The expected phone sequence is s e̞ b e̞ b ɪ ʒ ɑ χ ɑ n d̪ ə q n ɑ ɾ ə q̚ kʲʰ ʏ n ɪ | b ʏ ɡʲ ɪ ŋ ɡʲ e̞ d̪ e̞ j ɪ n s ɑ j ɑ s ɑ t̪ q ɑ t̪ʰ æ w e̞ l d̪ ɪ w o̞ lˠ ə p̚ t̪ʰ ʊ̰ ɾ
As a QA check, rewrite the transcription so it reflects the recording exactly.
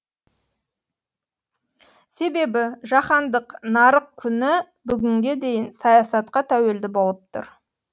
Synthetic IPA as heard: s e̞ b e̞ b ɪ ʒ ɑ χ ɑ n d̪ ə q n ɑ ɾ ə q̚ kʲʰ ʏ n ɪ | b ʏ ɡʲ ɪ ŋ ɡʲ e̞ d̪ e̞ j ɪ n s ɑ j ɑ s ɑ t̪ q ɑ t̪ʰ æ w e̞ l d̪ ɪ b o̞ lˠ ə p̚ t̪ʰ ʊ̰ ɾ

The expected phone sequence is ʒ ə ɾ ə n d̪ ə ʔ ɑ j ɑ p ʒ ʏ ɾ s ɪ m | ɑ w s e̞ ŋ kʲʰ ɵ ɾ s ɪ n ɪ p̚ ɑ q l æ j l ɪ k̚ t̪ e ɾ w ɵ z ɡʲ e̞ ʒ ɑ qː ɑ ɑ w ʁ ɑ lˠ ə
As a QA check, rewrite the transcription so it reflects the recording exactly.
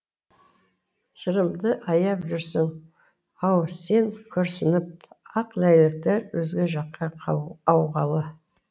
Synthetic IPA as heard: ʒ ə ɾ ə m d̪ ə ʔ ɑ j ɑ p ʒ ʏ ɾ s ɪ ŋ | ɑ w s e̞ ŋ kʲʰ ɵ ɾ s ɪ n ɪ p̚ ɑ q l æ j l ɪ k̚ t̪ e ɾ w ɵ z ɡʲ e̞ ʒ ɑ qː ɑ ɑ w ʁ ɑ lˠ ə

